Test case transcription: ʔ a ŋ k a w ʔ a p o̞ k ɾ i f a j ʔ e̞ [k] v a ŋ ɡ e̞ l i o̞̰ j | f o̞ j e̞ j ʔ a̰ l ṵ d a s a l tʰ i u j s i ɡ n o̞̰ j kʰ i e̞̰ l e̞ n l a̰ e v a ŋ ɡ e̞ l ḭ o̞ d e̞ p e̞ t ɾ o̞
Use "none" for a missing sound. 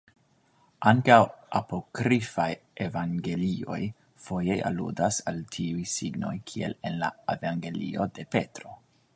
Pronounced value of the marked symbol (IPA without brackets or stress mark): none